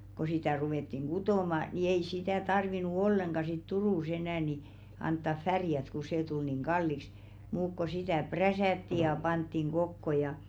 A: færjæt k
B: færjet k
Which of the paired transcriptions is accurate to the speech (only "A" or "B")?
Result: A